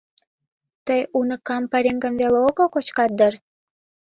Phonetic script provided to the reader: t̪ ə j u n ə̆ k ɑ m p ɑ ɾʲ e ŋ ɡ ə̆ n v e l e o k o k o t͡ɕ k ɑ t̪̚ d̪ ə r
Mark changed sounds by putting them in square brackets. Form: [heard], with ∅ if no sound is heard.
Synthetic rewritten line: t̪ ə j u n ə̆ k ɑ m p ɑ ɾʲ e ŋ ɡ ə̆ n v e l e o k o k o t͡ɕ k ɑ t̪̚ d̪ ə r

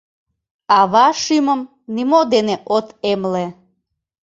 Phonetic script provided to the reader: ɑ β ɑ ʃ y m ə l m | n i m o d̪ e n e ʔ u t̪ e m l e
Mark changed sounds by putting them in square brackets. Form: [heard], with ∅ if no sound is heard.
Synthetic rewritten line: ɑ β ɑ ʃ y m ə [∅] m | n i m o d̪ e n e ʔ [o] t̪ e m l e

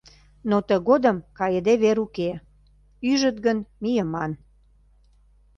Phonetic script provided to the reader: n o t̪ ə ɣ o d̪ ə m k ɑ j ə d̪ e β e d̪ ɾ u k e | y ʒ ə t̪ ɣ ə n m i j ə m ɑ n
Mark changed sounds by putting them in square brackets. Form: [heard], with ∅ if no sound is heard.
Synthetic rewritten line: n o t̪ ə ɣ o d̪ ə m k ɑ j ə d̪ e β e [∅] ɾ u k e | y ʒ ə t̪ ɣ ə n m i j ə m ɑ n

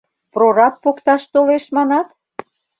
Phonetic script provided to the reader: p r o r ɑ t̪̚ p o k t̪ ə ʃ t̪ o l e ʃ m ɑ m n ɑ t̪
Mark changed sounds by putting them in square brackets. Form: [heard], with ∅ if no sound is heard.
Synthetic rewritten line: p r o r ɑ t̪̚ p o k t̪ [ɑ] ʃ t̪ o l e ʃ m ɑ [∅] n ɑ t̪

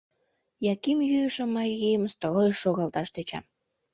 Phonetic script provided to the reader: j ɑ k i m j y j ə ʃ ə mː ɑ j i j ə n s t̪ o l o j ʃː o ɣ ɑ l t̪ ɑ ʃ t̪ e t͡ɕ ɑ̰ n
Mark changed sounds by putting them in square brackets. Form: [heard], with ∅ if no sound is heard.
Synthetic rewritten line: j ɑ k i m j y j ə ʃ ə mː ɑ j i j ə [m] s t̪ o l o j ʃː o ɣ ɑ l t̪ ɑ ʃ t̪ e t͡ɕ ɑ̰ [m]

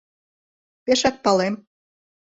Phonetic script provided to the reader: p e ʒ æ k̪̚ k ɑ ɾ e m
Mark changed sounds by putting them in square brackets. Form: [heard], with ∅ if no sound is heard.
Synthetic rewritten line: p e [ʃ] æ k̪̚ [p] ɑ [l] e m

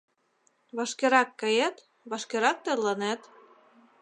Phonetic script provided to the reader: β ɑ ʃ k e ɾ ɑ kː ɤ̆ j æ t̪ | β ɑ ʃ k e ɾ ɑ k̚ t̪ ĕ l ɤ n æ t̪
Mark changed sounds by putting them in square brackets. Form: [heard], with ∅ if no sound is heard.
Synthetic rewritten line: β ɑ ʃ k e ɾ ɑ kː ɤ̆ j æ t̪ | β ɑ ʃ k e ɾ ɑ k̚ t̪ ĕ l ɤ n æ t̪

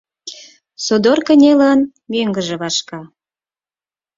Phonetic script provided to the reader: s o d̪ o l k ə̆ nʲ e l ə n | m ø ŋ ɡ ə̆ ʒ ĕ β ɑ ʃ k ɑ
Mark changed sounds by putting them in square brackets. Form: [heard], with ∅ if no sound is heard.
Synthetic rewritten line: s o d̪ o [r] k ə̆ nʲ e l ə n | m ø ŋ ɡ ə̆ ʒ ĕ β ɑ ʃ k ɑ

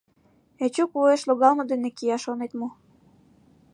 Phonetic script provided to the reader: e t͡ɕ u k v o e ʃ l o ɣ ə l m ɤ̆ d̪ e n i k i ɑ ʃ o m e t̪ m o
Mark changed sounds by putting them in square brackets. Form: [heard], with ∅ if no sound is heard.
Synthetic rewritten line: e t͡ɕ u k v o e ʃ l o ɣ [ɑ] l m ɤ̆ d̪ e n [e] k i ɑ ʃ o [n] e t̪ m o

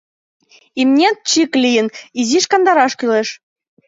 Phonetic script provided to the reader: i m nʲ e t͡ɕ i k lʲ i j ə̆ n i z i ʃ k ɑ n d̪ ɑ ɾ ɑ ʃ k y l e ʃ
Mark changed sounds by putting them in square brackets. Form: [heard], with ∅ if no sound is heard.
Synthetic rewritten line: i m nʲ e t͡ɕ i k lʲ i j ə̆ n i z i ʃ k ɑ n d̪ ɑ ɾ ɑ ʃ k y l e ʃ

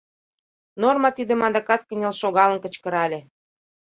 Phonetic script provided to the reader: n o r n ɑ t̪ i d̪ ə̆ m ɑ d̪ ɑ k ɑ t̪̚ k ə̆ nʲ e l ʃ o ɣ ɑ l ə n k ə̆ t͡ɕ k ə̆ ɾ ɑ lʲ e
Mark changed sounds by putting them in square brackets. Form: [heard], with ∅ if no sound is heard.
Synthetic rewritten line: n o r [m] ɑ t̪ i d̪ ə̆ m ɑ d̪ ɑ k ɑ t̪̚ k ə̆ nʲ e l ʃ o ɣ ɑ l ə n k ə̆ t͡ɕ k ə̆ ɾ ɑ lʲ e

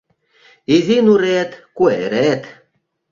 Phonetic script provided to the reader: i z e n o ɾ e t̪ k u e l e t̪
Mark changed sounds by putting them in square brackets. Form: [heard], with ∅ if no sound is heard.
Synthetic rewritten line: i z [i] n [u] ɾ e t̪ k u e [ɾ] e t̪

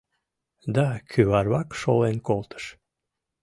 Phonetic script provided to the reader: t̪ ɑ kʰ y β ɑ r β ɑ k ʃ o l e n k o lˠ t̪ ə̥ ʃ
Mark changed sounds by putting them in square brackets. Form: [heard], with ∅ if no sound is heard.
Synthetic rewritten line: [d̪] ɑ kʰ y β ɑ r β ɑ k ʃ o l e n k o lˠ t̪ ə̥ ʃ

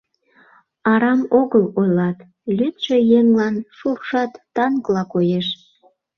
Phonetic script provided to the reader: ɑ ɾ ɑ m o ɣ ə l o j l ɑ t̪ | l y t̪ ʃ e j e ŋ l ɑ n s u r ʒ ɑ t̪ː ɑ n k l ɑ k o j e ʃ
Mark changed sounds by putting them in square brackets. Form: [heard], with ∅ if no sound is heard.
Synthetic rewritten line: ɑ ɾ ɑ m o ɣ ə l o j l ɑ t̪ | l y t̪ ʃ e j e ŋ l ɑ n [ʃ] u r [ʃ] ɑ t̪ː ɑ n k l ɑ k o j e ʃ

